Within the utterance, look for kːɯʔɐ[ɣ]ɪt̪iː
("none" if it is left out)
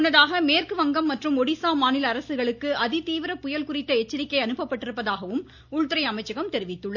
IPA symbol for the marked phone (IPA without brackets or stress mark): ð